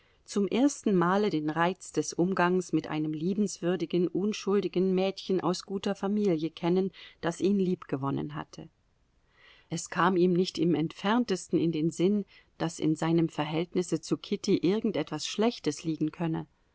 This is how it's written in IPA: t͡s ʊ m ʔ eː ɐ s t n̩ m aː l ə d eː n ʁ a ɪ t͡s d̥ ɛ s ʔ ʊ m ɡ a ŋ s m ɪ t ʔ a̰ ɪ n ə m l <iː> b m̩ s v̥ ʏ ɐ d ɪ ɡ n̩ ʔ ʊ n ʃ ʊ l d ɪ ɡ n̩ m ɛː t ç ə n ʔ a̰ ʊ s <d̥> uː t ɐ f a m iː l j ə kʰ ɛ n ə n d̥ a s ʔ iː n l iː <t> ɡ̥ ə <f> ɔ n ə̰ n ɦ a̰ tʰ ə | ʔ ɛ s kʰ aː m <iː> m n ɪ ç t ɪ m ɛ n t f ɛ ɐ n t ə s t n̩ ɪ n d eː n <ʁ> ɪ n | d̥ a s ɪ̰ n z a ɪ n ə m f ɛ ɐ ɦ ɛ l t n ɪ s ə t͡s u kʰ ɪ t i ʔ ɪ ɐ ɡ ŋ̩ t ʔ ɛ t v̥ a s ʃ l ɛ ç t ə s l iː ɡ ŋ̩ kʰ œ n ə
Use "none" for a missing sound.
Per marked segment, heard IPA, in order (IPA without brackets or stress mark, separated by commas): iː, ɡ̥, p, v, iː, z